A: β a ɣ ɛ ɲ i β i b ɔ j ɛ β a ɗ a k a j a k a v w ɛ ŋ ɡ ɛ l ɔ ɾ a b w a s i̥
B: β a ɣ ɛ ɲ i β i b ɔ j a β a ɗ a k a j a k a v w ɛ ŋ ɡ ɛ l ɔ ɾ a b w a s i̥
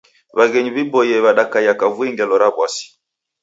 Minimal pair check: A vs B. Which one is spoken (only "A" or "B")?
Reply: A